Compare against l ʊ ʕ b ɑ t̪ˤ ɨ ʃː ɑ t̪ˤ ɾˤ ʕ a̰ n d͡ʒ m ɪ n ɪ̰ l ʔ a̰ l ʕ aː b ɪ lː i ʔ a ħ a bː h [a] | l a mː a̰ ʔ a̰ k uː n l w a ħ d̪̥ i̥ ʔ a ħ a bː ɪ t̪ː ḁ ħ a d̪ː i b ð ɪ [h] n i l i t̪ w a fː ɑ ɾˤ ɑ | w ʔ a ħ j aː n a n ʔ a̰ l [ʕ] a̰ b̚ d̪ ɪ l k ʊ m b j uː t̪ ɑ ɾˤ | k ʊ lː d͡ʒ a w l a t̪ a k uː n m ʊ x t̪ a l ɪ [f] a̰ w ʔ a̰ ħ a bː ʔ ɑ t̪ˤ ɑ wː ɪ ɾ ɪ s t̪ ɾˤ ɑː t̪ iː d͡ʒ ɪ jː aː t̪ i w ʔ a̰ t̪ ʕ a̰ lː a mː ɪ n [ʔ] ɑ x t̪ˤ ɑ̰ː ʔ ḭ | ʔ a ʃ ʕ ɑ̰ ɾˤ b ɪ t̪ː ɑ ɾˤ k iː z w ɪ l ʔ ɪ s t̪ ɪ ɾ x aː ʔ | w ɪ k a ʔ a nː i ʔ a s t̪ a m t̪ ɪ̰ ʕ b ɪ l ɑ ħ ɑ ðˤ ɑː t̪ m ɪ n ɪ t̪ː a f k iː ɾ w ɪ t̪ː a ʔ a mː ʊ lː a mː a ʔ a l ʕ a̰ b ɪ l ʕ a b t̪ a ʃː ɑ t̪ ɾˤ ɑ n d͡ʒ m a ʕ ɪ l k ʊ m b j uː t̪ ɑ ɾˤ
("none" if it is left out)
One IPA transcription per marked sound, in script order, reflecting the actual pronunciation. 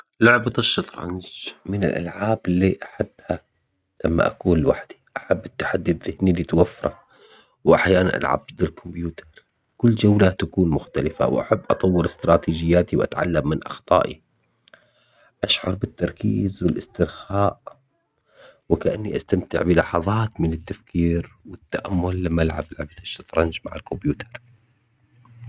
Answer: a, h, ʕ, f, ʔ

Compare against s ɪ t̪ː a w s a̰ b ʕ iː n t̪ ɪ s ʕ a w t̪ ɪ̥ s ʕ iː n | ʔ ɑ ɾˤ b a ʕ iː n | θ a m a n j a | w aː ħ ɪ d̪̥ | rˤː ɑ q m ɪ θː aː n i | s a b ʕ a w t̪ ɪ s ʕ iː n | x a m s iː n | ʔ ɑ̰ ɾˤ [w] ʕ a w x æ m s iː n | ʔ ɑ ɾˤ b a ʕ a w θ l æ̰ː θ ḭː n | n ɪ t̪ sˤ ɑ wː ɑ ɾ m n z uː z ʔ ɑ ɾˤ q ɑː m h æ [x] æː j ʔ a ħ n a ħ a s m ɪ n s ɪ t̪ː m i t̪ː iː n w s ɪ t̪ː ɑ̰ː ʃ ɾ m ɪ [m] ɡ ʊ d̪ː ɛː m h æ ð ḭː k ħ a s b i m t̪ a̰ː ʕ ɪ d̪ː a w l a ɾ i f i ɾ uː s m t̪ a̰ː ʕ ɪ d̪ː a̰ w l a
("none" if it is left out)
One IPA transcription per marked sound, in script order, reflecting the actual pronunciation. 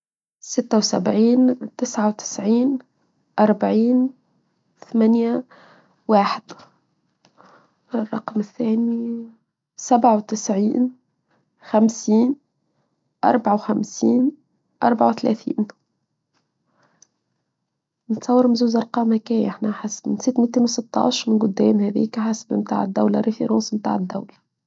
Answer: b, k, n

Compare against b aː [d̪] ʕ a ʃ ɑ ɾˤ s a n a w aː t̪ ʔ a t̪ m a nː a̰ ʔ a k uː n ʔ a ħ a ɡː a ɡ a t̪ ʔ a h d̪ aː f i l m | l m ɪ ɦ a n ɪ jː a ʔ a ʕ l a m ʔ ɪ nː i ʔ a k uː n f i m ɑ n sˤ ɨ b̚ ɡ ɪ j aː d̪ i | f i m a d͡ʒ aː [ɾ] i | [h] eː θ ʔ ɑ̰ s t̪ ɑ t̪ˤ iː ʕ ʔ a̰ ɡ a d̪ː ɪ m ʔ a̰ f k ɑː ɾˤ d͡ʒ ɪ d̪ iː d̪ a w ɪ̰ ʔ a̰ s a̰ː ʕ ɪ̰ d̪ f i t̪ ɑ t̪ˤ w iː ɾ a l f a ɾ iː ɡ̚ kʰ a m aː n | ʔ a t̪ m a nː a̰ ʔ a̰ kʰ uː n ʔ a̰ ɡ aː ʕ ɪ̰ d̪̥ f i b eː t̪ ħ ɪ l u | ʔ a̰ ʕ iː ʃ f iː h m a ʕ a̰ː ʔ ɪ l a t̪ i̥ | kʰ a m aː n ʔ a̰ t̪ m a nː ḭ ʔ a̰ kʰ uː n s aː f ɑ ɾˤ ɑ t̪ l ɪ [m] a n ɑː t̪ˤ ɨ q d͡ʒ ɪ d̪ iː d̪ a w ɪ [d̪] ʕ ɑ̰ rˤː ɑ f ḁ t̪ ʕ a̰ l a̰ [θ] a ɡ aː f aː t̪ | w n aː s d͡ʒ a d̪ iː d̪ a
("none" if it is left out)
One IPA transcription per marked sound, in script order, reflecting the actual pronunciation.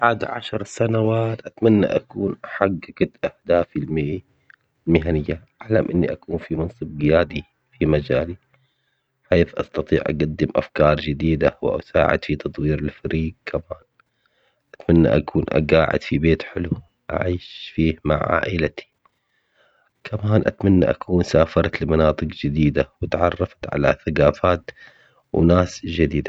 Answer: d̪, l, ħ, m, t̪, θ

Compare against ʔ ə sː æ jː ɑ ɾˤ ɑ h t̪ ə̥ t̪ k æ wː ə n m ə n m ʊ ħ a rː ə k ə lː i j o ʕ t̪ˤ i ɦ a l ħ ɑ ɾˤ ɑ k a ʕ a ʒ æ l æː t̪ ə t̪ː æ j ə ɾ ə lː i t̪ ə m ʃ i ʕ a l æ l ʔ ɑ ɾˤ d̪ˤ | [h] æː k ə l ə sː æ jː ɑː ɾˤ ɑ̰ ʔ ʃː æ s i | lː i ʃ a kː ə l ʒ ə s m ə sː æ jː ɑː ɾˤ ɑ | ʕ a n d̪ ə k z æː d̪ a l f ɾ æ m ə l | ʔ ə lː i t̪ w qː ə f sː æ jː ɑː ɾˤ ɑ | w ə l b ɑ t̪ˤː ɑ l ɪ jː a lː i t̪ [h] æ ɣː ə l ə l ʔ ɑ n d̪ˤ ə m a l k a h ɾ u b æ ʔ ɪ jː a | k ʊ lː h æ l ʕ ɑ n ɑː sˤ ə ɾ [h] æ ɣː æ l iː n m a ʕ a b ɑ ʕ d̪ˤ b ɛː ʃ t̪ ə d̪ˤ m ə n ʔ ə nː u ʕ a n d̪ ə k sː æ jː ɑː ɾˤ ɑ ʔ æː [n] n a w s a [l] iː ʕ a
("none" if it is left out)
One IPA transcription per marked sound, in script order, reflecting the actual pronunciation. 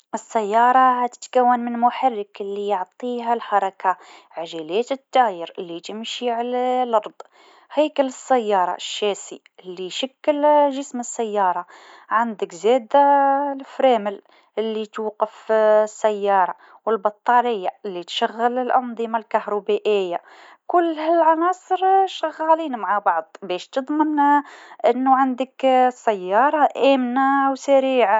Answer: h, ʃ, ʃ, m, ɾ

